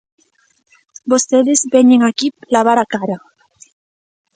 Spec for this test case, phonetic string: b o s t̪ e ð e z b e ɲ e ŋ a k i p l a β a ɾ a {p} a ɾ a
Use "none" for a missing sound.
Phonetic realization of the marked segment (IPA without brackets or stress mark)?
k